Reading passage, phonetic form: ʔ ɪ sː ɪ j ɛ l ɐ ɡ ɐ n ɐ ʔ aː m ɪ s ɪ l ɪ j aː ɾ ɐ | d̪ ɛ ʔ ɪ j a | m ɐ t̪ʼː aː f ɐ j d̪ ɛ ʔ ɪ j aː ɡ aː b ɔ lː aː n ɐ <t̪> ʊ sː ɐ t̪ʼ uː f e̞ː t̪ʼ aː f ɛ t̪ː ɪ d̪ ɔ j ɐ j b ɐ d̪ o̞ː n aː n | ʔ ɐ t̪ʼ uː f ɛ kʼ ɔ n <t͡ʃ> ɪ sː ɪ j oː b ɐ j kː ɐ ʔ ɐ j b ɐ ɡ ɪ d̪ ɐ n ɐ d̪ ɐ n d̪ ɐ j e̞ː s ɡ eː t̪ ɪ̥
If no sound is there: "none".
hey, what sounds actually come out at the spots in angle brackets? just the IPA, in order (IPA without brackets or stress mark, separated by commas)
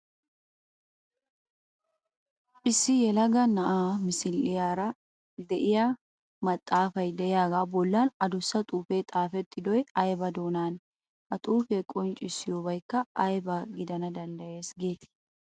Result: d̪, t͡ʃʼ